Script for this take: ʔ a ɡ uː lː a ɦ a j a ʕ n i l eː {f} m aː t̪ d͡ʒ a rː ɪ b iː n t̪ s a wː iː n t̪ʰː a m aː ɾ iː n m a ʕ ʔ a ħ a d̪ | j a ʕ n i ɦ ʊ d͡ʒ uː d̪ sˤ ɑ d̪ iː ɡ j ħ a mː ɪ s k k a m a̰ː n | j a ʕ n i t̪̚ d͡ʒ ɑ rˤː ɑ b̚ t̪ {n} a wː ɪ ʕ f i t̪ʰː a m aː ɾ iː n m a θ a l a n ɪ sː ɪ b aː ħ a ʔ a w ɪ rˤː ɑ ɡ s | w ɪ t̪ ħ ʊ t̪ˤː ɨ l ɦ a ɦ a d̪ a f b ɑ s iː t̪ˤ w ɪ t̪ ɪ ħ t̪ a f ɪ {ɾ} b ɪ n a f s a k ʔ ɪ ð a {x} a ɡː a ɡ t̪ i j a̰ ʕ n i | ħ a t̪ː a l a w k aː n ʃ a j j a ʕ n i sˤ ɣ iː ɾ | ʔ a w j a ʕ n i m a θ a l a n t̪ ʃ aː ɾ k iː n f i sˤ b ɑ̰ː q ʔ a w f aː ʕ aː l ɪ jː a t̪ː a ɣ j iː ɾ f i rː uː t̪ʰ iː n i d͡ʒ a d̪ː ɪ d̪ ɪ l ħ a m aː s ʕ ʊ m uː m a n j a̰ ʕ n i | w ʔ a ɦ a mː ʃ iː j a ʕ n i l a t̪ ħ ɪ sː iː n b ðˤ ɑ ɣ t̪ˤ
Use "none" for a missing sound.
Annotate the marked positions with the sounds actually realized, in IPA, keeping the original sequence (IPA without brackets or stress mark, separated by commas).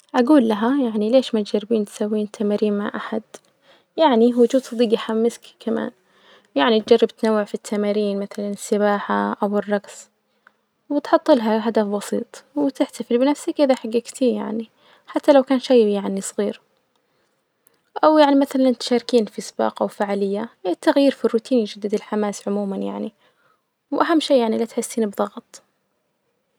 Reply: ʃ, n, l, ħ